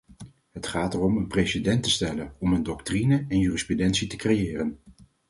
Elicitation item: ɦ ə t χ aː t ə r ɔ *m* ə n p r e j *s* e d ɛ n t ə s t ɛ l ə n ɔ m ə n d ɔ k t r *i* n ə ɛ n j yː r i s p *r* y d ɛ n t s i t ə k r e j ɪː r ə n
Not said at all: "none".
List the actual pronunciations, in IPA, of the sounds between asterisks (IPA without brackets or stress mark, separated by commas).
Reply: m, s, i, r